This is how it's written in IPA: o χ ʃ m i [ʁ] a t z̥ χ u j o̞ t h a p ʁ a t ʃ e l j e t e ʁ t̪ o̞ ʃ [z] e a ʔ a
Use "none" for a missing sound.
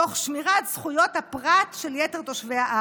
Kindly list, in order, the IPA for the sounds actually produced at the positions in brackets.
ʁ, v

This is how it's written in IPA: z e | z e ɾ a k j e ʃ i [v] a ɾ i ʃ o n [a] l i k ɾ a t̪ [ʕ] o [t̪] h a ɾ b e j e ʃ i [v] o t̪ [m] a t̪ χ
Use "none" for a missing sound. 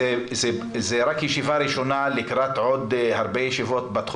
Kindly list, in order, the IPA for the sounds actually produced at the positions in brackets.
v, a, ʕ, d̪, v, b

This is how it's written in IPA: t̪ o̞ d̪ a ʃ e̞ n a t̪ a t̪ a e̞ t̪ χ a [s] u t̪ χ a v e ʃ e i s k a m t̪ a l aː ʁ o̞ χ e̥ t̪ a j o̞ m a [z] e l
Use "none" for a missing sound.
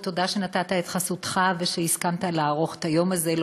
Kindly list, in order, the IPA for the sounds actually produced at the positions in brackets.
s, z

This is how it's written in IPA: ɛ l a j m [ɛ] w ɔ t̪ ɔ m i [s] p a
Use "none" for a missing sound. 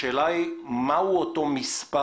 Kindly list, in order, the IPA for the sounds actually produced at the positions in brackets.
a, s

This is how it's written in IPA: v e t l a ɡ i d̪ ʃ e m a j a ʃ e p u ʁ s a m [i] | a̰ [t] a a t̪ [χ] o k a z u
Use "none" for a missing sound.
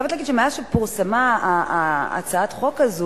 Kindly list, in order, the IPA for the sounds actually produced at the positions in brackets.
a, t͡s, χ

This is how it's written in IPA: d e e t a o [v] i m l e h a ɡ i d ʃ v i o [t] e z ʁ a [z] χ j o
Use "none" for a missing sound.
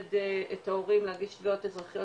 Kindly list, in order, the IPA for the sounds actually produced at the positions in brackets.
ʁ, t, none

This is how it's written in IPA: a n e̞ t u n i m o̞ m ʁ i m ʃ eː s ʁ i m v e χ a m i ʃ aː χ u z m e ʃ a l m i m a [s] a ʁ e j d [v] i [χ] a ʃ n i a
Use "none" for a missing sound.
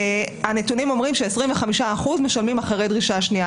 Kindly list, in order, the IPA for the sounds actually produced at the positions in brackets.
χ, ʁ, ʃ

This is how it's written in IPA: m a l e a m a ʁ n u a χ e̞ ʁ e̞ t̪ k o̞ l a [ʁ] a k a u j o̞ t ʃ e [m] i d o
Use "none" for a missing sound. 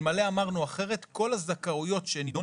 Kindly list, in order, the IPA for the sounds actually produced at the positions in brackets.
z, n

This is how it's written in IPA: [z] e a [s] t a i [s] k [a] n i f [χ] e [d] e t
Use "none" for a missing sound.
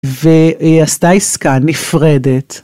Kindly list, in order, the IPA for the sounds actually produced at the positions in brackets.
v, s, s, a, ʁ, d

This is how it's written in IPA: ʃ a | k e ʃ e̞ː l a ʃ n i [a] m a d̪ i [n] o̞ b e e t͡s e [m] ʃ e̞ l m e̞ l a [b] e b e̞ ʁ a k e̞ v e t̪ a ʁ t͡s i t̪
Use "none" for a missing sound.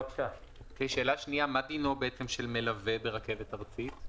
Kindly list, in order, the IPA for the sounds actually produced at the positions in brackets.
a, n, m, v

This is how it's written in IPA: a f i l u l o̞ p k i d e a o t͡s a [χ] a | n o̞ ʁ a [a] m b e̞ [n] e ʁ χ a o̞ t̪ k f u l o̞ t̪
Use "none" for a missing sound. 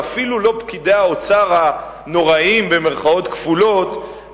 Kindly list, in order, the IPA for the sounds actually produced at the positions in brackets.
ʁ, i, m

